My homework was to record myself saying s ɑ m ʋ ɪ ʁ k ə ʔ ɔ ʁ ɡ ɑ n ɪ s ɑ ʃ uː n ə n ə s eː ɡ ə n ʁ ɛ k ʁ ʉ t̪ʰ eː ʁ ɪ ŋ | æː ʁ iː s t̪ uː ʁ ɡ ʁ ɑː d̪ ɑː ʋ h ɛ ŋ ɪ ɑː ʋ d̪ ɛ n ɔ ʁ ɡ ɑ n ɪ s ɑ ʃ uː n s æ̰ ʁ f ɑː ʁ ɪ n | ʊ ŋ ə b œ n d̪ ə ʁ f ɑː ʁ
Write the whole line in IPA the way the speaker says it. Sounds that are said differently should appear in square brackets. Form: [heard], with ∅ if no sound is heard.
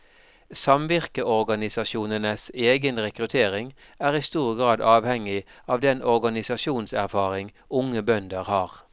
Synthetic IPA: s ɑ m ʋ ɪ ʁ k ə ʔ ɔ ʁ ɡ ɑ n ɪ s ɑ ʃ uː n ə n ə s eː ɡ ə n ʁ ɛ k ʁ ʉ t̪ʰ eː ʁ ɪ ŋ | æː ʁ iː s t̪ uː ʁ ɡ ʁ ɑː d̪ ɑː ʋ h ɛ ŋ ɪ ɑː ʋ d̪ ɛ n ɔ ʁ ɡ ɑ n ɪ s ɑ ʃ uː n s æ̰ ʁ f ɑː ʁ ɪ [ŋ] | ʊ ŋ ə b œ n d̪ ə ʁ [h] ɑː ʁ